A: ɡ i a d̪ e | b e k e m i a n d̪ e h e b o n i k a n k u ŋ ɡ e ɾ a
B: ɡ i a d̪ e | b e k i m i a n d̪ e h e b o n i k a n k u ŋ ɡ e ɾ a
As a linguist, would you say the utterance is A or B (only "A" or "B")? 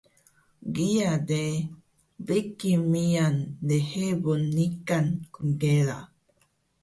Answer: B